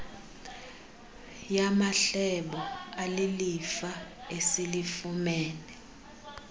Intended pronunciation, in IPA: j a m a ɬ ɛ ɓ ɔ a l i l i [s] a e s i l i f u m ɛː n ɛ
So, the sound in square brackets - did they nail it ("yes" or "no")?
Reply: no